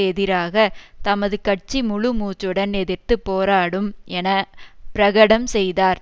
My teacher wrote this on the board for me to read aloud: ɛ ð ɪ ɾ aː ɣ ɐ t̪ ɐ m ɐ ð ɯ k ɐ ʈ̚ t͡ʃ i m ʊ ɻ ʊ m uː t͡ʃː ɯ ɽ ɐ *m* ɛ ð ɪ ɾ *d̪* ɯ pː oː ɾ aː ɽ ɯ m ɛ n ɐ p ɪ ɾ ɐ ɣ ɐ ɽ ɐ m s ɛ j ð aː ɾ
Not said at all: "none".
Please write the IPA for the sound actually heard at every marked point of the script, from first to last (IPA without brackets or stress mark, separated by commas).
n, t̪